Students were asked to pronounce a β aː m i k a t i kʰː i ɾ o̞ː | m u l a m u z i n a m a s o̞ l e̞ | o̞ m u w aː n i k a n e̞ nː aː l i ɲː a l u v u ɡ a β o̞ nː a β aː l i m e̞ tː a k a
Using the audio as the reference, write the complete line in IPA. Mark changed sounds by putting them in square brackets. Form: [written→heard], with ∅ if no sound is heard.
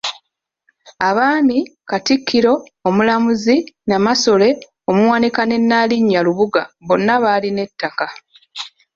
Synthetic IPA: a β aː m i k a t i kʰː i ɾ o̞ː | m u l a m u z i n a m a s o̞ l e̞ | o̞ m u w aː n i k a n e̞ nː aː l i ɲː a l u [v→β] u ɡ a β o̞ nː a β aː l i [m→n] e̞ tː a k a